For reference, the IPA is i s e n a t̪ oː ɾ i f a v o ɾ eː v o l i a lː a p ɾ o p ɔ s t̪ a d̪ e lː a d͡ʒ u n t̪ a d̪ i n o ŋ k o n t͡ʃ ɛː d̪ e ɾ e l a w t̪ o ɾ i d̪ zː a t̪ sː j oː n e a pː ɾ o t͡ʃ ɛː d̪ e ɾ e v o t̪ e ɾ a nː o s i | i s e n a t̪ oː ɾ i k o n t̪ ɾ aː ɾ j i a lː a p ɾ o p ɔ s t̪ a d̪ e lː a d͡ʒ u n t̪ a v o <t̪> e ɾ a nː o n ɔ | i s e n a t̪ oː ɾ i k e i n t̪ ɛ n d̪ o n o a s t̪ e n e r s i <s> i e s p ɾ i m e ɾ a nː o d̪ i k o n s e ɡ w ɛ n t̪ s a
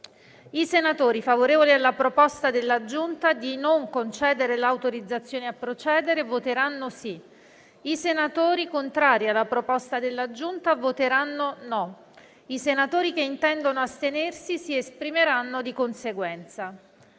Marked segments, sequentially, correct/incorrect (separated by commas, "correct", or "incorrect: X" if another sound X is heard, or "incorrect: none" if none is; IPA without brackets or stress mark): correct, correct